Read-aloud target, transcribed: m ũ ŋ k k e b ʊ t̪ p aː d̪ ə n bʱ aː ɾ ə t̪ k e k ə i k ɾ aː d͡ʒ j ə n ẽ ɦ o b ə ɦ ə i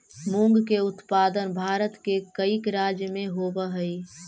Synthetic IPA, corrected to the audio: m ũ ŋ ɡ k e ʊ t̪ p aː d̪ ə n bʱ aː ɾ ə t̪ k e k ə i k ɾ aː d͡ʒ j ə m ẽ ɦ o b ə ɦ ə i